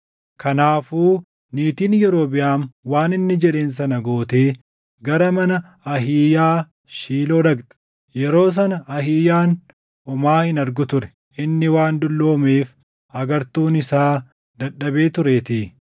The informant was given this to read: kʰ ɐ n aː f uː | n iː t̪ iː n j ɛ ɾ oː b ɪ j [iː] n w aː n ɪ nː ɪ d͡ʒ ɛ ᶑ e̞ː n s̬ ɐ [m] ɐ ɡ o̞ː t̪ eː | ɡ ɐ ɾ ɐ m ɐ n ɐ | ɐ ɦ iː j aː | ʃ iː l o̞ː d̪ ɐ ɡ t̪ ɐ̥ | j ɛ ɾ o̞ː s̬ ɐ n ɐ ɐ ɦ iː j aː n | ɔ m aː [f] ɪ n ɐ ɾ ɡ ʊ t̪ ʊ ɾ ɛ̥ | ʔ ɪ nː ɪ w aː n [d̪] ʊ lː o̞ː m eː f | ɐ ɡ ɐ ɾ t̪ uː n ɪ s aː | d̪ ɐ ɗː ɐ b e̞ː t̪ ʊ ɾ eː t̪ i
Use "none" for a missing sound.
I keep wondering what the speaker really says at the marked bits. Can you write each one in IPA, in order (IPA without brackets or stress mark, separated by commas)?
aː, n, h, d̪